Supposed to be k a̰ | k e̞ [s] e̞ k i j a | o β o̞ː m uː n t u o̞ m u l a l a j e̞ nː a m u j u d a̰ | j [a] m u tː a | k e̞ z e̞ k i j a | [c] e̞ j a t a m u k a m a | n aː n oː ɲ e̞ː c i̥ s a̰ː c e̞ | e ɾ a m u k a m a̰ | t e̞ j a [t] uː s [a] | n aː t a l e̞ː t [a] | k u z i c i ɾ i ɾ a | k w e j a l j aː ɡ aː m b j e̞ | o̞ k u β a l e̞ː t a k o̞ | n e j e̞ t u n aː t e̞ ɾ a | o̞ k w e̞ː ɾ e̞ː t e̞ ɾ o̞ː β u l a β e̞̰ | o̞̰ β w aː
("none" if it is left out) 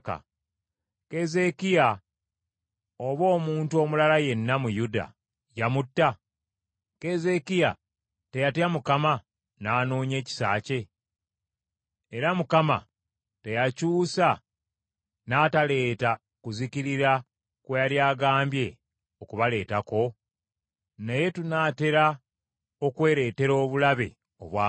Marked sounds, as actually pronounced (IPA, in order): z, a, t, c, a, a

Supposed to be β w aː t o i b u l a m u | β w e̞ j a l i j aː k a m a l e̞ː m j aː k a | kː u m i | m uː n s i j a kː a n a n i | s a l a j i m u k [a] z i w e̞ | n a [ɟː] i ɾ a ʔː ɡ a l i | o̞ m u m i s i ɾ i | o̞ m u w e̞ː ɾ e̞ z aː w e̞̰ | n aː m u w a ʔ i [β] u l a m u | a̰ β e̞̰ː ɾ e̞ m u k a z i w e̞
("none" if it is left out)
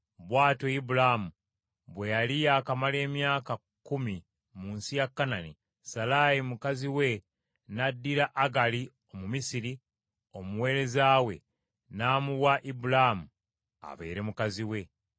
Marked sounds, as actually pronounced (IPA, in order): a, dː, b

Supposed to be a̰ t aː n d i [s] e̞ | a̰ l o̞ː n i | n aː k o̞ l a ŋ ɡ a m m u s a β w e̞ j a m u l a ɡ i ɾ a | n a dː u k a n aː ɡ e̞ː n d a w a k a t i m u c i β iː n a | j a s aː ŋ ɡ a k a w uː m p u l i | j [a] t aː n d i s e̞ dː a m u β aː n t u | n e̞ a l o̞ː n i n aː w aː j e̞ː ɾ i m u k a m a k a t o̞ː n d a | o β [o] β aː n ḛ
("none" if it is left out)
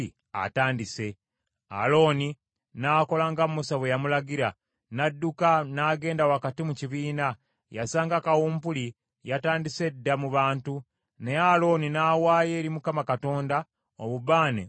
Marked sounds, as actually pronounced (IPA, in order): s, a, u

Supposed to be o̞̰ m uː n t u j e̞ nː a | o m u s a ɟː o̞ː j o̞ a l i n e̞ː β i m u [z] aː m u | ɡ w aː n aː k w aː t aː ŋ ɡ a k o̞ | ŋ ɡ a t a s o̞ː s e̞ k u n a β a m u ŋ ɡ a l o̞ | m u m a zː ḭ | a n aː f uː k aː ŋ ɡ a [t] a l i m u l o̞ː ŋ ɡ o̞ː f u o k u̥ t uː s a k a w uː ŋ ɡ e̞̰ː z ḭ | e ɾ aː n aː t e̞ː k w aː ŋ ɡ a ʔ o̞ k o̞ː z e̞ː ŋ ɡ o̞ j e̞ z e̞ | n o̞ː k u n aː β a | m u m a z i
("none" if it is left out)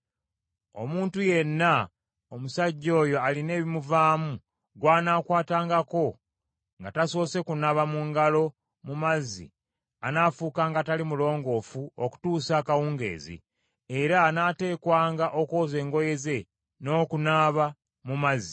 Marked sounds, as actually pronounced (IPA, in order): v, t

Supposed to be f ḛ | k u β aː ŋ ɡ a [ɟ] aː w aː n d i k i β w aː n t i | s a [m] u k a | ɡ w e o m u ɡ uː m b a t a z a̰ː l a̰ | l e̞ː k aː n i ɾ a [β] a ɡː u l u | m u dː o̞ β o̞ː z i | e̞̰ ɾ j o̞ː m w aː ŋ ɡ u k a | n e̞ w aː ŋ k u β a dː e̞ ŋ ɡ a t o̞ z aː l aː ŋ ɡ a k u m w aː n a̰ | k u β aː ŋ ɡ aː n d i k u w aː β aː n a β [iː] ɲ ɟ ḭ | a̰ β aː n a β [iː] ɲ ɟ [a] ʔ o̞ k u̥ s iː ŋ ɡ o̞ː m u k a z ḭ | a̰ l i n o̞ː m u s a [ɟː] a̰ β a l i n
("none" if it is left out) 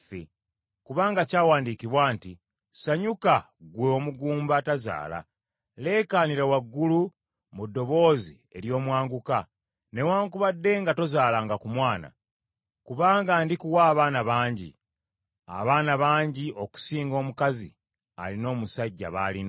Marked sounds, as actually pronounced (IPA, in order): c, ɲ, w, aː, aː, i, ɟː

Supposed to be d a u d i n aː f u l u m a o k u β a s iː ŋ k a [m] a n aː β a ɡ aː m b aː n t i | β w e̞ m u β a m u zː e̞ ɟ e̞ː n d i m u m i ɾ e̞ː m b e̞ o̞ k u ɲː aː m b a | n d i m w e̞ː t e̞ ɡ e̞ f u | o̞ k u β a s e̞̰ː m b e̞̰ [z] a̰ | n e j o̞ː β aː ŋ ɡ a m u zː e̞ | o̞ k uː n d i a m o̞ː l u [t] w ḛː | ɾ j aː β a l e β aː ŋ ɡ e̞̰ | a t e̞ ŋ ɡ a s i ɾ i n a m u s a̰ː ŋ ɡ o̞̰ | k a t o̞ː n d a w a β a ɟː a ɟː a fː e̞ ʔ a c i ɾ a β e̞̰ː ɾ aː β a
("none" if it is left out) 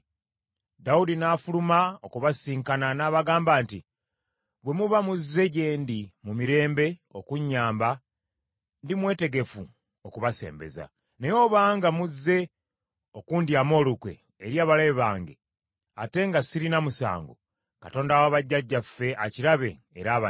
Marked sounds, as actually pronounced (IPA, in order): n, z, k

